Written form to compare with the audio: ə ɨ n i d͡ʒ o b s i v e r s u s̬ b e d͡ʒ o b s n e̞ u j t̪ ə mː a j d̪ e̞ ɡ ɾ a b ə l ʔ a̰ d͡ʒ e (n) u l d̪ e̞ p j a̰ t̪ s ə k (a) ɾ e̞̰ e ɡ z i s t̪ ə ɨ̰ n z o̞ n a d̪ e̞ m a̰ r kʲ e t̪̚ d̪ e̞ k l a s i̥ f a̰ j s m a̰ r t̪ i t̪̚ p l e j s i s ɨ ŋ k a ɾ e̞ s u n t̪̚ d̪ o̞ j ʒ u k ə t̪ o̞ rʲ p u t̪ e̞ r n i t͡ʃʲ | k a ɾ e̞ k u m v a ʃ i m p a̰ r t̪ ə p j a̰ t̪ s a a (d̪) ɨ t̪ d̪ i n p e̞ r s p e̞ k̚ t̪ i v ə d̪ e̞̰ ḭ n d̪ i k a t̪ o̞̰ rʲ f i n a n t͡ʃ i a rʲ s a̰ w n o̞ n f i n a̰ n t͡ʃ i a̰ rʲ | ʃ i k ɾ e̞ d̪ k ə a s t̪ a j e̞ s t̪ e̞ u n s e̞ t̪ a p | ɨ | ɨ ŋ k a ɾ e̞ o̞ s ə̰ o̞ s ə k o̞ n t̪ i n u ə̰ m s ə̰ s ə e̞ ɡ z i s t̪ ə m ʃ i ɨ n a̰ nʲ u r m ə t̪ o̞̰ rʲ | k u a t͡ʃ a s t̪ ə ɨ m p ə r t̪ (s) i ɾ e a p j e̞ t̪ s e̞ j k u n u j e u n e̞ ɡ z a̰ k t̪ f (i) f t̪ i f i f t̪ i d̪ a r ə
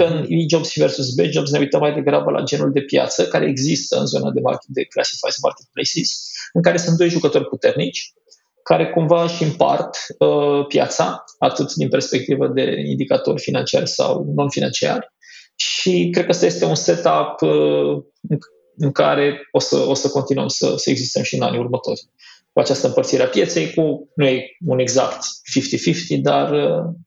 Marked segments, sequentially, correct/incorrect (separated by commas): correct, correct, incorrect, correct, correct